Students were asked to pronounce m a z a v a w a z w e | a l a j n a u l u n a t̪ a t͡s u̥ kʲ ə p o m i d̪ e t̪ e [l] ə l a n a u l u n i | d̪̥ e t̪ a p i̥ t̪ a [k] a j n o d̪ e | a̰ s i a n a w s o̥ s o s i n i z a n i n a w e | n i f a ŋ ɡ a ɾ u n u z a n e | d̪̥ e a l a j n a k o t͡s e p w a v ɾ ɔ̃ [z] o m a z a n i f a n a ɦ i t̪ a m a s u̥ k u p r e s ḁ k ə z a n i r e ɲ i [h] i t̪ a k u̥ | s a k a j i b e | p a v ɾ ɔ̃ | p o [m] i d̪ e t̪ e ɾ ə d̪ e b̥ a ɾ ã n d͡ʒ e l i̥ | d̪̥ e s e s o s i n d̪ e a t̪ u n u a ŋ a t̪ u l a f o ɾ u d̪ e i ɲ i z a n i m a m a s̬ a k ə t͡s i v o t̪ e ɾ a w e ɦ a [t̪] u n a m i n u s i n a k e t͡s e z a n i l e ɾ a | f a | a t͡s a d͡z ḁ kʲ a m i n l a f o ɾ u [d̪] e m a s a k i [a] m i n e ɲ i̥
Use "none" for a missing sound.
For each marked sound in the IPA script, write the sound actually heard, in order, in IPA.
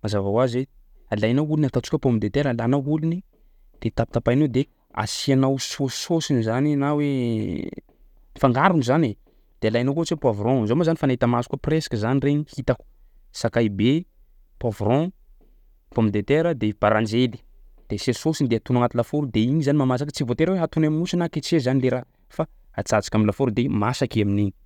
ɾ, p, z, h, m, t̪, d̪, a

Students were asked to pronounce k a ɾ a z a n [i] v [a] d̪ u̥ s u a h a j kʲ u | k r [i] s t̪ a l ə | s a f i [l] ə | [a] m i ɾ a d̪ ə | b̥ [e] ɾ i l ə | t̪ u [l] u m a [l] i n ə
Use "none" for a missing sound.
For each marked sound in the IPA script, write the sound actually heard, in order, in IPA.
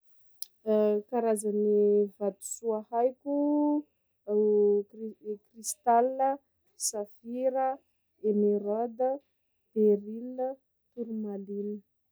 i, a, i, ɾ, e, e, ɾ, l

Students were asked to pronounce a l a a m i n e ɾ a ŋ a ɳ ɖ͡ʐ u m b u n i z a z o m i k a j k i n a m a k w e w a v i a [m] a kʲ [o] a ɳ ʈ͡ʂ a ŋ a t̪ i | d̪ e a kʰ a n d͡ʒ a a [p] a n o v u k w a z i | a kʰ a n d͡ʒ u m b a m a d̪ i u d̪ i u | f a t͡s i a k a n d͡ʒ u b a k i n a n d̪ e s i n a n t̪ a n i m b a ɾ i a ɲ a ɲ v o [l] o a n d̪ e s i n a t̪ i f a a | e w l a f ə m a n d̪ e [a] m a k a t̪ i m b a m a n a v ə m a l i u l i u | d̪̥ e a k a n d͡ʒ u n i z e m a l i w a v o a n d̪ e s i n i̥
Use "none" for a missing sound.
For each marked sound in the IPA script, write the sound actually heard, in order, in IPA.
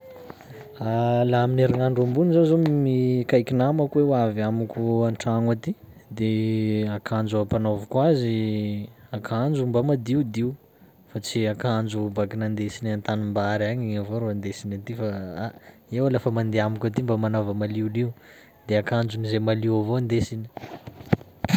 m, u, p, ɾ, a

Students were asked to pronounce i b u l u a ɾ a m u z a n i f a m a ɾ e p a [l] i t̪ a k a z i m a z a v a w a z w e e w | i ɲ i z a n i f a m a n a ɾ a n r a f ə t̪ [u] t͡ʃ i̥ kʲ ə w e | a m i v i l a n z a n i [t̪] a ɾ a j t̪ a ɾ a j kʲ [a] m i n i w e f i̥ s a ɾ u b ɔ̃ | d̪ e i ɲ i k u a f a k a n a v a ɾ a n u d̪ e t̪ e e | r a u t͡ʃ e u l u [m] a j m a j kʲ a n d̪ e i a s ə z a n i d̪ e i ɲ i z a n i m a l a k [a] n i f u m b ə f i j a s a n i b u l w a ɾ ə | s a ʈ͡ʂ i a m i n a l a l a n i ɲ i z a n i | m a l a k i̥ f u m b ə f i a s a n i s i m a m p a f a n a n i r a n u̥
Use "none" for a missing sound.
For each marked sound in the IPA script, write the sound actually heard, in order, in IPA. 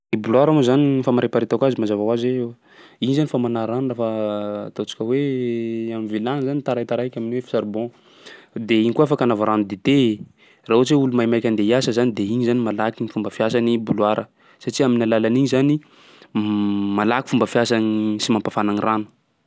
ɾ, o, t̪, a, m, i

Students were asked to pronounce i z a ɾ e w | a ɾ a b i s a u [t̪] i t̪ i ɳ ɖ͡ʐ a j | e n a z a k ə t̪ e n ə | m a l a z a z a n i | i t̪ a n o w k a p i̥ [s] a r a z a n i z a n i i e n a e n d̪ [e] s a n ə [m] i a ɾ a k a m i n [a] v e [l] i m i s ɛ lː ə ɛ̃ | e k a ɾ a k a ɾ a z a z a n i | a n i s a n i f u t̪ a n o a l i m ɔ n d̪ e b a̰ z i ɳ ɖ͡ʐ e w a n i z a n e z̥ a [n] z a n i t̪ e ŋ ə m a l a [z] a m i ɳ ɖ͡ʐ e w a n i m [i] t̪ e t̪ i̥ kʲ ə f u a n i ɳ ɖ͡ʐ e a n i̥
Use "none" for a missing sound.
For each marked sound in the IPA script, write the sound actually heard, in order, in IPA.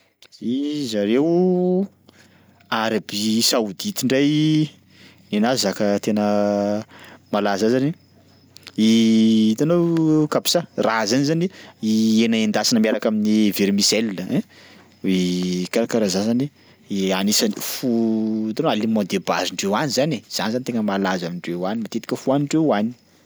d̪, s, a, m, i, ɾ, n, z, a

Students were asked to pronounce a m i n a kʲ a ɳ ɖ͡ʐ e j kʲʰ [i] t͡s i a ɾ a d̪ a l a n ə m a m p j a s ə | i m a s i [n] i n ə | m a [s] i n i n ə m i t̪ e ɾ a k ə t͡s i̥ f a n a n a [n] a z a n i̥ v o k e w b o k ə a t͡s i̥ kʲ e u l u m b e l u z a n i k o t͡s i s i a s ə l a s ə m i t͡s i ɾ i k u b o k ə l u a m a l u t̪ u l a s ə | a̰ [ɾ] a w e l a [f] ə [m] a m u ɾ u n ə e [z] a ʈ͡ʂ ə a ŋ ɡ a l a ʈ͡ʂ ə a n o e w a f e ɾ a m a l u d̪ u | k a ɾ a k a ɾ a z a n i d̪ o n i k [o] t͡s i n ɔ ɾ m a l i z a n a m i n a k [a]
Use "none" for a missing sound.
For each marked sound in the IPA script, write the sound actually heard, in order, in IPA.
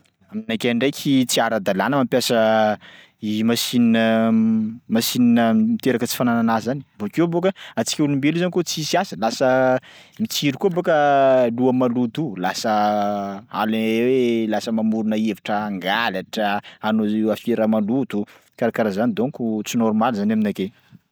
i, n, s, n, l, s, m, v, u, e

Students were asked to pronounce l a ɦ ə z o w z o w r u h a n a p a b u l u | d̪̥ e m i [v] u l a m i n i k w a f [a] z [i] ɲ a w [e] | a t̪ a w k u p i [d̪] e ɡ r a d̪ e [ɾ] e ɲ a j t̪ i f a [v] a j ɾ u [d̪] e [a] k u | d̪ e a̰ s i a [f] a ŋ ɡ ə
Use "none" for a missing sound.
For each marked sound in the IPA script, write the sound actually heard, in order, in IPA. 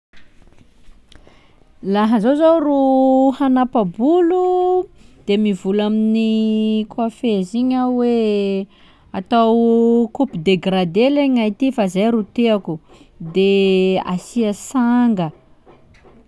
v, e, i, e, d̪, l, z, t̪, a, s

